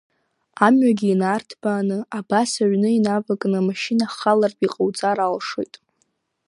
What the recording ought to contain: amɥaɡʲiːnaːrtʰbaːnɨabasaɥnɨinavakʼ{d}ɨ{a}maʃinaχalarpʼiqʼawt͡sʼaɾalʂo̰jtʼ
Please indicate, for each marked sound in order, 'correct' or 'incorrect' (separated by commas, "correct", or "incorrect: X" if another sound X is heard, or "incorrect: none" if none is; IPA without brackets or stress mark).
incorrect: n, correct